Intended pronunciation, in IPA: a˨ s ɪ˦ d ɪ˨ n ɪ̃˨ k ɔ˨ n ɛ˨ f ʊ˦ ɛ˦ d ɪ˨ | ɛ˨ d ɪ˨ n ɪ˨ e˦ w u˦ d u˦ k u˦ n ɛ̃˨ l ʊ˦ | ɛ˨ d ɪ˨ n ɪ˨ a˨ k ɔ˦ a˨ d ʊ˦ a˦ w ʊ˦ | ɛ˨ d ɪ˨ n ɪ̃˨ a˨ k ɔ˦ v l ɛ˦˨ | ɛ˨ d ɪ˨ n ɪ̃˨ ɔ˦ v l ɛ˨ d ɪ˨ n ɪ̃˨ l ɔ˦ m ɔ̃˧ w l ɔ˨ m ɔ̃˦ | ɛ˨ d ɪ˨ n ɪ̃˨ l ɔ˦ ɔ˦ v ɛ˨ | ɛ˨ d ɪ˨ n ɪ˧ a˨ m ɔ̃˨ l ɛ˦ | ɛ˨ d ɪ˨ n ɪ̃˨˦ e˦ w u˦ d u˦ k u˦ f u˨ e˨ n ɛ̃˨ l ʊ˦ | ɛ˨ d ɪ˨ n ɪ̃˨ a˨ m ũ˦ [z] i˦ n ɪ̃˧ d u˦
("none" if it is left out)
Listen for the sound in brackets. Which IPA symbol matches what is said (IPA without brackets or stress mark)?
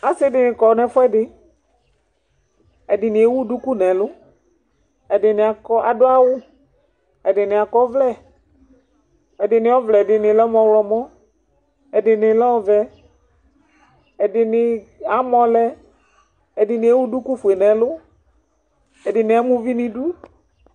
v